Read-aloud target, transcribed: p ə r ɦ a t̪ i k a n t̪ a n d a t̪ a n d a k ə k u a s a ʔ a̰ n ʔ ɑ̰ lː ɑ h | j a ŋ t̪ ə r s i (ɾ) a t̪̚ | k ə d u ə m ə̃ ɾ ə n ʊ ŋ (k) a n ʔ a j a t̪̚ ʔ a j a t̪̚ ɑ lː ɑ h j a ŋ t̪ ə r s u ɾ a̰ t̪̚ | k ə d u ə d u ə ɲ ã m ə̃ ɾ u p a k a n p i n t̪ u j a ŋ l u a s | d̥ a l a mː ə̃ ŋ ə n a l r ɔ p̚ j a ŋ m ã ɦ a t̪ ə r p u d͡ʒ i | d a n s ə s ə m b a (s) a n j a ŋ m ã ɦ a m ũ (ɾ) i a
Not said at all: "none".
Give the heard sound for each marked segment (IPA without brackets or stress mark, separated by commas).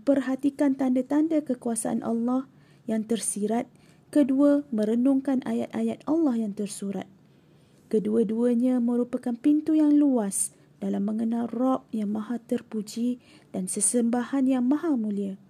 ɾ, k, h, l